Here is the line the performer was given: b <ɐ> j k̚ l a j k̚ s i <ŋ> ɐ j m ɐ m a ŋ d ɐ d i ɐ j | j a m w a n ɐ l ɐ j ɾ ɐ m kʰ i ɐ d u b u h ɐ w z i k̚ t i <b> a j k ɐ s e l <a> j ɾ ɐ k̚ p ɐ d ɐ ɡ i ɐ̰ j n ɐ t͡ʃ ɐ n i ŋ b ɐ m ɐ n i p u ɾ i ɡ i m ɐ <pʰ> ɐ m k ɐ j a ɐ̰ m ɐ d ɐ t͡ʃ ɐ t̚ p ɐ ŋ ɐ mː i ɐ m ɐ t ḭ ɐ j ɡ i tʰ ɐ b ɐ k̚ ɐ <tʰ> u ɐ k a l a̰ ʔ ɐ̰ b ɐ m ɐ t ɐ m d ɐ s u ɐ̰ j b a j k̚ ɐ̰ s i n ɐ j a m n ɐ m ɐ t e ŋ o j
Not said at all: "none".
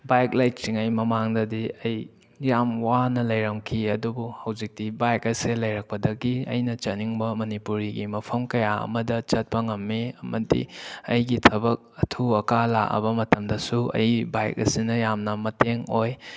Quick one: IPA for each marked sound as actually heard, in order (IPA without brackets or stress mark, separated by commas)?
a, ŋ, b, ɐ, pʰ, tʰ